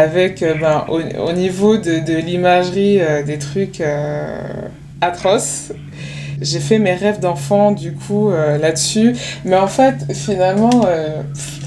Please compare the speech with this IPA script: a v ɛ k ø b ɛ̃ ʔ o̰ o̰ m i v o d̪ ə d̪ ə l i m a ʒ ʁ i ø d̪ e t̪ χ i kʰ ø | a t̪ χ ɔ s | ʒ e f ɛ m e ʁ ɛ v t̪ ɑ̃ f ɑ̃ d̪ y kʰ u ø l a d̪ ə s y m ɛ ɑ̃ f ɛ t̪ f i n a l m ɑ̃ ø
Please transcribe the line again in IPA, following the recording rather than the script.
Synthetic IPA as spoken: a v ɛ k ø b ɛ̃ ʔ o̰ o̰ n i v o d̪ ə d̪ ə l i m a ʒ ʁ i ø d̪ e t̪ χ y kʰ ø | a t̪ χ ɔ s | ʒ e f ɛ m e ʁ ɛ v d̪ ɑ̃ f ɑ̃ d̪ y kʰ u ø l a d̪ ə s y m ɛ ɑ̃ f ɛ t̪ f i n a l m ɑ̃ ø